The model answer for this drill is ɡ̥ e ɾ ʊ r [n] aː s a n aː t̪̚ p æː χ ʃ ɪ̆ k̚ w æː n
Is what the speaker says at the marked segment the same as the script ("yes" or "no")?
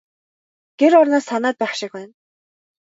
yes